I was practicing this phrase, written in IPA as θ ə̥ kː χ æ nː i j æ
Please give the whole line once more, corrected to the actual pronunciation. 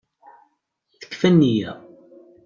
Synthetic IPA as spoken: θ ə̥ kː f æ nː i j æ

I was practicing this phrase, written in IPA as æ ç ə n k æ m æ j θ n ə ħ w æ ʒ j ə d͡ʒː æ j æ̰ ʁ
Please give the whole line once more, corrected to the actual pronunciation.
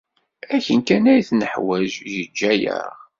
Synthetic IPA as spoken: æ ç ə n k æ n æ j θ n ə ħ w æ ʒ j ə d͡ʒː æ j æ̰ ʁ

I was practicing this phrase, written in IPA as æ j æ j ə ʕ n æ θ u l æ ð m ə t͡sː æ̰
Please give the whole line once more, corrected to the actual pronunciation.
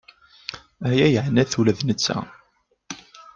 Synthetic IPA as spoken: æ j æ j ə ʕ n æ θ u l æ ð n ə t͡sː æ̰

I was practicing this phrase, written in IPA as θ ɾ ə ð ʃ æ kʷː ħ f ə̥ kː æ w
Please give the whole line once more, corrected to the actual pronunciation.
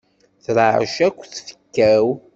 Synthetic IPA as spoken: θ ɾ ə ʕ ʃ æ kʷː θ f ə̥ kː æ w

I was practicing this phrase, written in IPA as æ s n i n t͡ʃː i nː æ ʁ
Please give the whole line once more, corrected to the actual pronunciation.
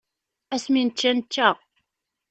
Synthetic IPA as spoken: æ s m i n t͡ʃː æ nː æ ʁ

